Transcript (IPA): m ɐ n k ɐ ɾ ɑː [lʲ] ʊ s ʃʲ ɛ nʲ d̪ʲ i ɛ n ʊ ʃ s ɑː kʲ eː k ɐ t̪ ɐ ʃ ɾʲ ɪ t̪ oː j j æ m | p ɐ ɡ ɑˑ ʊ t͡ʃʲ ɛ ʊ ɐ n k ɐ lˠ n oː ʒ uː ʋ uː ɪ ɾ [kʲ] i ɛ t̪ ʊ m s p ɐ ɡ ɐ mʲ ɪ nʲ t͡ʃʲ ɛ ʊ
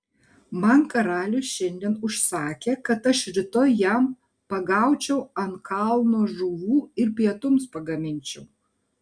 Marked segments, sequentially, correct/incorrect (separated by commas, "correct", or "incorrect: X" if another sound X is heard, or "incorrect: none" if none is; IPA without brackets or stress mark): correct, incorrect: pʲ